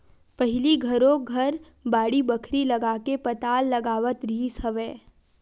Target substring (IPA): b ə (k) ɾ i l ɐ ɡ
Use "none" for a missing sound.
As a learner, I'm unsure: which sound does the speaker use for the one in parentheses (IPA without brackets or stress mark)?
kʰ